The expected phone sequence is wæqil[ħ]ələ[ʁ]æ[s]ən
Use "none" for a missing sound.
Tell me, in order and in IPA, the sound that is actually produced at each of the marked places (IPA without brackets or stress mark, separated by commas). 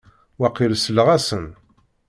s, ʁ, s